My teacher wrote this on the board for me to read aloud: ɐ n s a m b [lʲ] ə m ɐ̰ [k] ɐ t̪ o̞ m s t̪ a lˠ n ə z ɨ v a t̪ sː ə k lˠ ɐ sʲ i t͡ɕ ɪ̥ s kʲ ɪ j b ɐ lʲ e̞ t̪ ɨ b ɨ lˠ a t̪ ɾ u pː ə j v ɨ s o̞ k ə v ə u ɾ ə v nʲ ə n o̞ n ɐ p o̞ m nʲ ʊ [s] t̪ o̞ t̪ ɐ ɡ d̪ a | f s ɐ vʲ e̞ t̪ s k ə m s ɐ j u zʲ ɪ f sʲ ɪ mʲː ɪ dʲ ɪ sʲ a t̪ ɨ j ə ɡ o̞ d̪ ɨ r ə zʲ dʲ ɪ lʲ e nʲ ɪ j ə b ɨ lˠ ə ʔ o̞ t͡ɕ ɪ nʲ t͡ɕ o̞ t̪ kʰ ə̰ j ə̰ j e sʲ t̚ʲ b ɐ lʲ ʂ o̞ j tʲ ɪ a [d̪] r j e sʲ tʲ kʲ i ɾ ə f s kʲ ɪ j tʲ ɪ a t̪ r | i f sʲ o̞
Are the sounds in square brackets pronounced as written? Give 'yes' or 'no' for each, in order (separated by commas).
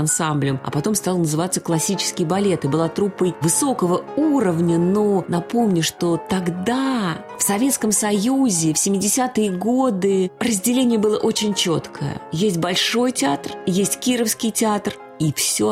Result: yes, no, no, no